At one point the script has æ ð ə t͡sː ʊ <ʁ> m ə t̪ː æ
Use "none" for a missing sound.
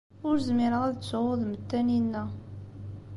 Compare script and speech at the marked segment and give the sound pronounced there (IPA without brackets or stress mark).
ð